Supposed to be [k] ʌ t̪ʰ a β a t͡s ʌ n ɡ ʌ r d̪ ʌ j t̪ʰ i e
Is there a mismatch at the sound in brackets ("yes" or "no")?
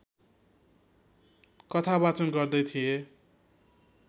no